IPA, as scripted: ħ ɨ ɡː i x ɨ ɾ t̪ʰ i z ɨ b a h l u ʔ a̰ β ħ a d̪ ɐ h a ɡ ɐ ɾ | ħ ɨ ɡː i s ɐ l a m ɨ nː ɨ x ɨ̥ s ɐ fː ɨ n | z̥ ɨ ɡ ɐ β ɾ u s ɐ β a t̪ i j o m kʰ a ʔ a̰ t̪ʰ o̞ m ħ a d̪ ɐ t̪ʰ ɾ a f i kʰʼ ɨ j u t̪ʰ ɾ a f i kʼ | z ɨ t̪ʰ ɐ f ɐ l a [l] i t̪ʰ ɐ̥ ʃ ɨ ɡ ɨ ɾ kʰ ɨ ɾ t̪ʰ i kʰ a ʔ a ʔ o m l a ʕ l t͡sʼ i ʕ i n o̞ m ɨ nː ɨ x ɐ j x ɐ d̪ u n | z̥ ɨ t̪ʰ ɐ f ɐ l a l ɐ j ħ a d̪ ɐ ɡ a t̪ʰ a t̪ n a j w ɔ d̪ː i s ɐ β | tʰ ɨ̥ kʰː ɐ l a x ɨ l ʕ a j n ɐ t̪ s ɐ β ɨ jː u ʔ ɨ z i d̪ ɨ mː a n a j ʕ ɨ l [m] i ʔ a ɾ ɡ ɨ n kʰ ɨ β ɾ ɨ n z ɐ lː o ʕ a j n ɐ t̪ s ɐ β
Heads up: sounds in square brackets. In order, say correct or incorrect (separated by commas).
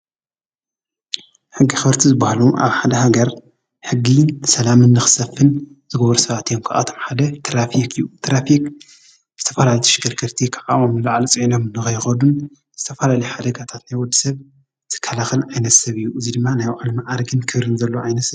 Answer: correct, correct